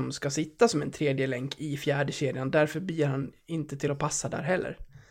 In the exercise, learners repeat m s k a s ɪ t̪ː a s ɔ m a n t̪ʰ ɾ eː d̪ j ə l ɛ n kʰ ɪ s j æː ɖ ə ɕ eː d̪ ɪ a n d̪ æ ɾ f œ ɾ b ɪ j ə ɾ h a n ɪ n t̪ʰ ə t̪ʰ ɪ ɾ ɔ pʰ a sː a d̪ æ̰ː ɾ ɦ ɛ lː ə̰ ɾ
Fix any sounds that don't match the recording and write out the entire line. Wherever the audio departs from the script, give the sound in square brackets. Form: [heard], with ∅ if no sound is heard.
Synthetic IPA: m s k a s ɪ t̪ː a s ɔ m [ɛ] n t̪ʰ ɾ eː d̪ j ə l ɛ [ŋ] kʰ ɪ [f] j æː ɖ ə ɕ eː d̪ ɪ a n d̪ æ ɾ f œ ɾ b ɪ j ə ɾ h a n ɪ n [t̪] ə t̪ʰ ɪ [l] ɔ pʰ a sː a d̪ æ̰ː ɾ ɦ ɛ lː ə̰ ɾ